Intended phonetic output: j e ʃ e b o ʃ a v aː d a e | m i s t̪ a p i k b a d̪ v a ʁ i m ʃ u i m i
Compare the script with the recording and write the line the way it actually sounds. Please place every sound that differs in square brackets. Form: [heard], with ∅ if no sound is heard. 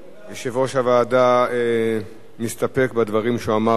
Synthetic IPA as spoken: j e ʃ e [v] o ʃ a v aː d a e | m i s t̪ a p [e] k b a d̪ v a ʁ i m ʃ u [a] m [a]